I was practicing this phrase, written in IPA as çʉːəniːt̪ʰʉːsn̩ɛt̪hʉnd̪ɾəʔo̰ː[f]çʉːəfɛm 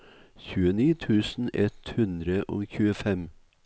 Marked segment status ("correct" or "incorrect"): incorrect